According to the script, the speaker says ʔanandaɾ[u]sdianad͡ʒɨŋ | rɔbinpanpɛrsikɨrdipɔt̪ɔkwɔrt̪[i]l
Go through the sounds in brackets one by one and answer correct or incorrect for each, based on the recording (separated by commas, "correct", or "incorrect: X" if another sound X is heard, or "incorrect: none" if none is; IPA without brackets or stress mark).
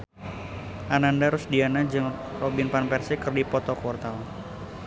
incorrect: ʊ, incorrect: a